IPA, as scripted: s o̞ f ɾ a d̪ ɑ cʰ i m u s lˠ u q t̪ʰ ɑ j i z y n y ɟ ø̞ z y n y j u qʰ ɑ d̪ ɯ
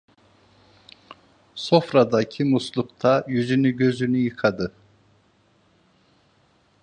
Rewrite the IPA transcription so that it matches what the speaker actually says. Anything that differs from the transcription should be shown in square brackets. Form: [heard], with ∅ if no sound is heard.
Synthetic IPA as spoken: s o̞ f ɾ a d̪ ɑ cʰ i m u s lˠ u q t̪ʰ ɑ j [y] z y n y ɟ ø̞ z y n y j [ɯ] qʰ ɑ d̪ ɯ